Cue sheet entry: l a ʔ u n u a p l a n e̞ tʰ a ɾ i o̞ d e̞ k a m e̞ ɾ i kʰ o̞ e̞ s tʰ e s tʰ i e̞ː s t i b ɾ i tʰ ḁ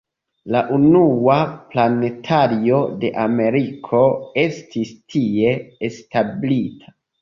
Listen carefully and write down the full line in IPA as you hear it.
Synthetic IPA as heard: l a ʔ u n u a p l a n e̞ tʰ a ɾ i o̞ d e̞ ʔ a m e̞ ɾ i kʰ o̞ e̞ s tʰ i s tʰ i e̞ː s t a b l i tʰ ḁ